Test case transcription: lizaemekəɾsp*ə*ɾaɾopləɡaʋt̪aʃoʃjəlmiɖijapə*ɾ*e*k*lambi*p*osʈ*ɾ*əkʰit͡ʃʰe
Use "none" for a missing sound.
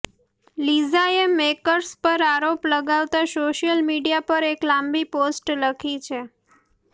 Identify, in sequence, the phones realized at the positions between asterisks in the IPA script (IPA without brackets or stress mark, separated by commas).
ə, ɾ, k, p, l